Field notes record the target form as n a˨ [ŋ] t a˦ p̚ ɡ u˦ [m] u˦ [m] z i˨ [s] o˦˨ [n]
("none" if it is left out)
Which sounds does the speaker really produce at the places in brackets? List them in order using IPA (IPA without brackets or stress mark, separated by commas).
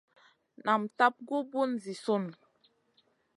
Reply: m, b, n, s, n